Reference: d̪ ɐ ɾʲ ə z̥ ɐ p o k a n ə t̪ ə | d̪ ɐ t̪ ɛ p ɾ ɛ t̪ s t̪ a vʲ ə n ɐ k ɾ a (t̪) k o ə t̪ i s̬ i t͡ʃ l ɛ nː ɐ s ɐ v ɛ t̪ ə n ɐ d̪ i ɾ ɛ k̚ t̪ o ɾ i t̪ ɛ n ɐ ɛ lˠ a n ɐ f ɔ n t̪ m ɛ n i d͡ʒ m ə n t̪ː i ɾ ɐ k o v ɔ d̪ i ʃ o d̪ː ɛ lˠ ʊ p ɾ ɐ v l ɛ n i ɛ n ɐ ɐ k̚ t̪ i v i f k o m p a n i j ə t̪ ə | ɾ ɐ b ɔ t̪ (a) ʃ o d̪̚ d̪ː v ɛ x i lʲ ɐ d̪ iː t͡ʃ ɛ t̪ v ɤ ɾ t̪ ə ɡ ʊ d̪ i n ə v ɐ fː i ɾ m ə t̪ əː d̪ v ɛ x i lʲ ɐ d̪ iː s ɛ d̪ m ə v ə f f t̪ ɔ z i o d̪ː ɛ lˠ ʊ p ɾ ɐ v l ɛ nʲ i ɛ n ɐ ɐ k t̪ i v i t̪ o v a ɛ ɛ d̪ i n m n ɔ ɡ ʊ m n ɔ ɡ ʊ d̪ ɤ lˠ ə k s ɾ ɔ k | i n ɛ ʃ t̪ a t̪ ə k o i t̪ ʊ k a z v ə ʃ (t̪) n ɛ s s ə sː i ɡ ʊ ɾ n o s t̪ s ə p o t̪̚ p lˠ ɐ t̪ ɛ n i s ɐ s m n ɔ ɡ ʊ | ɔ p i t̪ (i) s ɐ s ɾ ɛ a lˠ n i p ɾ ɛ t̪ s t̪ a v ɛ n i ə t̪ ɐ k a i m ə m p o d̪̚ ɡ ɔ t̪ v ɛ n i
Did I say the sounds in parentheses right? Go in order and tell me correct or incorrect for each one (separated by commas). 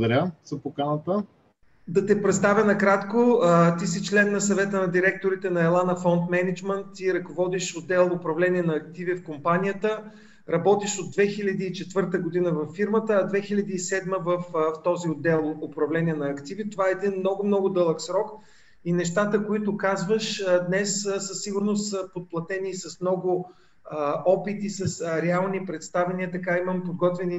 correct, incorrect, incorrect, correct